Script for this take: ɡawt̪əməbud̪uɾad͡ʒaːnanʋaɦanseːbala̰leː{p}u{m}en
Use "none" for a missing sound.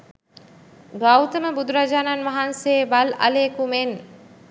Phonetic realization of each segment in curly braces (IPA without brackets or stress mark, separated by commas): k, m